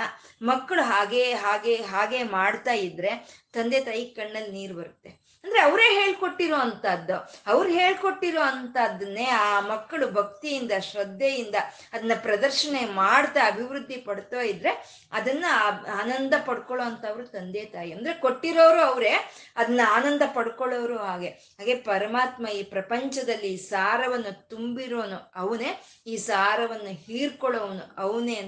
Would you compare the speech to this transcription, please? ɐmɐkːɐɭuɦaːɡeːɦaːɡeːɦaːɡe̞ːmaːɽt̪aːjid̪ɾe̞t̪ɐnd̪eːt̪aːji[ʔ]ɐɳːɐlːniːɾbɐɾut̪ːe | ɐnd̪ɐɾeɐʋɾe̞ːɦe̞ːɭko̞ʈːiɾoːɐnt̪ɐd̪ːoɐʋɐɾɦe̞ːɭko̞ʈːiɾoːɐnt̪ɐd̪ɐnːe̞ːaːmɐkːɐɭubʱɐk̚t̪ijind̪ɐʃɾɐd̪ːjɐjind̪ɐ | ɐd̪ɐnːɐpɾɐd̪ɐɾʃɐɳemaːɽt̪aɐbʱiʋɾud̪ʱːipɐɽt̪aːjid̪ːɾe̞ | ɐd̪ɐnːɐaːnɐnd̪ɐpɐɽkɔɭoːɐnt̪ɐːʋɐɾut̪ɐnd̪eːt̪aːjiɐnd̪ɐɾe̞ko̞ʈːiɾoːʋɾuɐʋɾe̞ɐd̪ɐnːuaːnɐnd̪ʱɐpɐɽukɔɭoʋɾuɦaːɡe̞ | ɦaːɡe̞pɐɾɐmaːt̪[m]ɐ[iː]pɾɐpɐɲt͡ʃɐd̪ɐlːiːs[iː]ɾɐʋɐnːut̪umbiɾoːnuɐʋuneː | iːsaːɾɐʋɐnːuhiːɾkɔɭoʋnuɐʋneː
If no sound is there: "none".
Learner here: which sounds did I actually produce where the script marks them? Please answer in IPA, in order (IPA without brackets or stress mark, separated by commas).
k, m, iː, aː